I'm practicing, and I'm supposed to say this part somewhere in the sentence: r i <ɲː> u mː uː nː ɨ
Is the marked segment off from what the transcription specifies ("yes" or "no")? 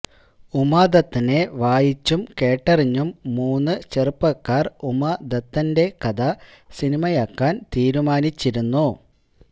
no